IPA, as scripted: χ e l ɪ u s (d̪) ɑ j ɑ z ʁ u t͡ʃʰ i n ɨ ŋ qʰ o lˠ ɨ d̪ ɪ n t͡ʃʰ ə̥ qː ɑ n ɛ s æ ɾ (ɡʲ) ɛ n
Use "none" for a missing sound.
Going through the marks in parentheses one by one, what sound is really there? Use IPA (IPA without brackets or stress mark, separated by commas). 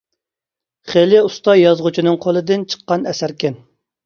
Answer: t̪, kʲ